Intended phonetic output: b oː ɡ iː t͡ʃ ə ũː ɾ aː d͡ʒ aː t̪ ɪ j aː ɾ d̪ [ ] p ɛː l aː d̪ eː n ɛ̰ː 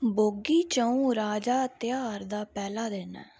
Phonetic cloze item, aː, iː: aː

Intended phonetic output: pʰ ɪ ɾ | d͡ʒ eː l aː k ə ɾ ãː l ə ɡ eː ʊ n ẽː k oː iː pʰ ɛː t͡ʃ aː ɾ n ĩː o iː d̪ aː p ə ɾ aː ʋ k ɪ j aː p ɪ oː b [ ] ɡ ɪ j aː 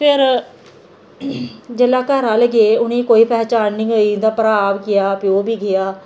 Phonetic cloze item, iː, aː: iː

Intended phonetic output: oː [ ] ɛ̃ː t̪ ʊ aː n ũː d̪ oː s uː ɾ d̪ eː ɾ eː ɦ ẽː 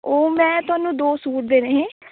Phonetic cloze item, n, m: m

